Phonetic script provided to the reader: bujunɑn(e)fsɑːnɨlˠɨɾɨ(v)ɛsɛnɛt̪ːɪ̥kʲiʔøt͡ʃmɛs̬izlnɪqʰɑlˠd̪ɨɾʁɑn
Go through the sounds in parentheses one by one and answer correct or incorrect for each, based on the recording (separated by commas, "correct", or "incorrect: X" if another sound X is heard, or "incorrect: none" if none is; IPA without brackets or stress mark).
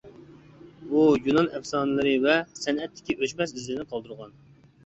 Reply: incorrect: ɛ, correct